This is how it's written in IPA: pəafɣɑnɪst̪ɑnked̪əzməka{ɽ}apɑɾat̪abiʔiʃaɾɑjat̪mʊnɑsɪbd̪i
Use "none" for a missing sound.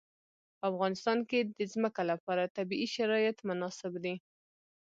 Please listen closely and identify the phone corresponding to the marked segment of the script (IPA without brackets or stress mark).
l